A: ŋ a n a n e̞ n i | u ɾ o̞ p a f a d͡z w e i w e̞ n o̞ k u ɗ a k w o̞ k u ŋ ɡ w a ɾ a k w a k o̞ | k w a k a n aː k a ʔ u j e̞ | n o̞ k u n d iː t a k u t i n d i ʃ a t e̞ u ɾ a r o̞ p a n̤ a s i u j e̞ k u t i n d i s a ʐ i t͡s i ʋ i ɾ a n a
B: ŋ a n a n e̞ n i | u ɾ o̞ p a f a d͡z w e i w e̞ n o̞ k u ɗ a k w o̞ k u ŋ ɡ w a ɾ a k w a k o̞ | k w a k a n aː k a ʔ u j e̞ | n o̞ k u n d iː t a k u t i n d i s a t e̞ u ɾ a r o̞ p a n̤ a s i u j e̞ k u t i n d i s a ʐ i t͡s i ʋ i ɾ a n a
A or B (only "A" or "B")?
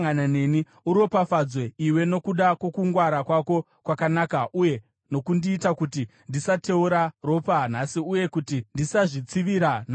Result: B